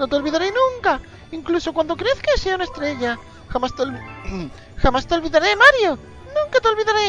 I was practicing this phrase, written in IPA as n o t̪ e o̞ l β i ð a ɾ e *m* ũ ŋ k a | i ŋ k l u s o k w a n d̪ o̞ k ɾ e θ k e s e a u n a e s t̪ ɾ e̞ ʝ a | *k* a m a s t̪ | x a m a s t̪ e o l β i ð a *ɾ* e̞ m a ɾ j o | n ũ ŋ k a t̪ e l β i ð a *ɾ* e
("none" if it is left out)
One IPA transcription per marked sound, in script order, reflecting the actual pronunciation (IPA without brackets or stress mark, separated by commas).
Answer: n, x, ɾ, ɾ